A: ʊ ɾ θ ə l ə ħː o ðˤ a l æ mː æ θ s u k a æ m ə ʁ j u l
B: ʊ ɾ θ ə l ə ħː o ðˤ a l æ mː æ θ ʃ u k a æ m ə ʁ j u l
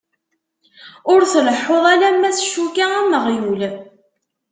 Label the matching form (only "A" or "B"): B